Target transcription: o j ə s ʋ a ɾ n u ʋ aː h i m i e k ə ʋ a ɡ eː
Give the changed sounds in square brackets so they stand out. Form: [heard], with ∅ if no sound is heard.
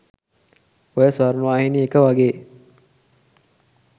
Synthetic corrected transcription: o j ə s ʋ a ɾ n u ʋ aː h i [n] i e k ə ʋ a ɡ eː